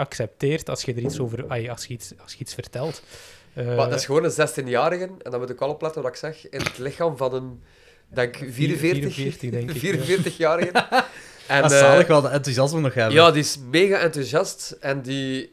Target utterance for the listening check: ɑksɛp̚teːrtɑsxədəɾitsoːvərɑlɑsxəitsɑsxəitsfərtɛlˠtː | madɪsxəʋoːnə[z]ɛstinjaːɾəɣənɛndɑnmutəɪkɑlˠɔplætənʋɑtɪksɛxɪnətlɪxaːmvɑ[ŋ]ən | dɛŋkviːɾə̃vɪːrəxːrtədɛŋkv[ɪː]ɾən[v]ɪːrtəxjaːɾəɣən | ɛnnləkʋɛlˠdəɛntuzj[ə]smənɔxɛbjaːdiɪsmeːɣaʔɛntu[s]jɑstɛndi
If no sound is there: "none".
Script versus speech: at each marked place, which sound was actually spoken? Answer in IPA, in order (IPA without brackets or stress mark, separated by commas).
z, n, iː, v, ɑ, z